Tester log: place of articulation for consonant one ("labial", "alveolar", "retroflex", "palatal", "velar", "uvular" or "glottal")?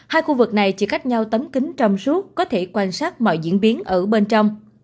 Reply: glottal